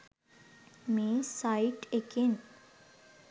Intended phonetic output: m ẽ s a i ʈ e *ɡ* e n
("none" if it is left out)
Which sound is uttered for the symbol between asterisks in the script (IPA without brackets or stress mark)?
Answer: k